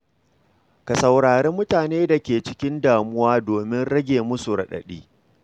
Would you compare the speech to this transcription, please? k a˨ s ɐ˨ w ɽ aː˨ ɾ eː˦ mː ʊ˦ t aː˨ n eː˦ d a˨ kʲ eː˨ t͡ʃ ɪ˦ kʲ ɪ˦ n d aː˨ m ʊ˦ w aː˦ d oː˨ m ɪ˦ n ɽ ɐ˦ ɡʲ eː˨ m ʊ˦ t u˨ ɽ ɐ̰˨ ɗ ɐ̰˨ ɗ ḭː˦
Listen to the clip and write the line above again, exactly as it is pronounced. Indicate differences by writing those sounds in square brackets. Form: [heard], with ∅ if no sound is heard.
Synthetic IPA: k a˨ s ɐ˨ w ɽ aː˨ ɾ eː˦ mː ʊ˦ t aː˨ n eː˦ d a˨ kʲ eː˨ t͡ʃ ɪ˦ kʲ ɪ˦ n d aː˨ m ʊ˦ w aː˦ d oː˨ m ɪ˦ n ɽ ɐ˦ ɡʲ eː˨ m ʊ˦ [s] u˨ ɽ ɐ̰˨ ɗ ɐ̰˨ ɗ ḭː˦